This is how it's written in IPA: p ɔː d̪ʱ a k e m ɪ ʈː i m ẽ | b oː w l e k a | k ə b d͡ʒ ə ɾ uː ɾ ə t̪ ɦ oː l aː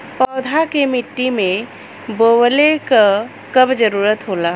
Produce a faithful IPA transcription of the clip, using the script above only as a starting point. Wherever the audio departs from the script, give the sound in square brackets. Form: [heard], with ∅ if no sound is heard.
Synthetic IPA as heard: p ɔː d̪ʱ a k e m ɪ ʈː i m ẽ | b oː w l e k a | k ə b d͡ʒ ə ɾ uː ɾ ə t̪ ɦ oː l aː